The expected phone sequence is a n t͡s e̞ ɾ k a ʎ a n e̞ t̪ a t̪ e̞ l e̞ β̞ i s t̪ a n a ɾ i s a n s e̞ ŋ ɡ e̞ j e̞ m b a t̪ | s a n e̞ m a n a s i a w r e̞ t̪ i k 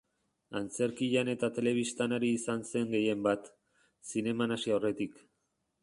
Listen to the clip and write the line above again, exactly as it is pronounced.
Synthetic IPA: a n t͡s e̞ ɾ k i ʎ a n e̞ t̪ a t̪ e̞ l e̞ β̞ i s t̪ a n a ɾ iː s a n s e̞ ŋ ɡ e̞ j e̞ m b a t̪ | s i n e̞ m a n a s i a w r e̞ t̪ i k